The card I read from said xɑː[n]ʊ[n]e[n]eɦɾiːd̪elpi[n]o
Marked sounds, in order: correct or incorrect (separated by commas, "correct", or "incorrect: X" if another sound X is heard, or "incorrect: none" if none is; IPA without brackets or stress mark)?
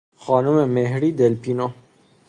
correct, incorrect: m, incorrect: m, correct